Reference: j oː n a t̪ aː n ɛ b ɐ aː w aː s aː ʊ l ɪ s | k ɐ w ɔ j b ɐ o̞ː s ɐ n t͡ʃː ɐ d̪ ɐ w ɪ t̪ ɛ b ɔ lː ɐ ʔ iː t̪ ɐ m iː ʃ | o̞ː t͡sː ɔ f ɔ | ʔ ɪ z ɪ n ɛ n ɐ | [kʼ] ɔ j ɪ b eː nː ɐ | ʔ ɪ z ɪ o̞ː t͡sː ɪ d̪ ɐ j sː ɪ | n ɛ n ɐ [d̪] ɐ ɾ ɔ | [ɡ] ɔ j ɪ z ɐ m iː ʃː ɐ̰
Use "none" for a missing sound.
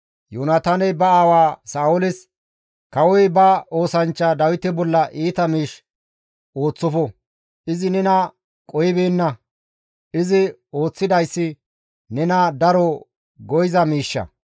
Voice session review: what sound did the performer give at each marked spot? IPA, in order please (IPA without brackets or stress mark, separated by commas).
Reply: kʼ, d̪, ɡ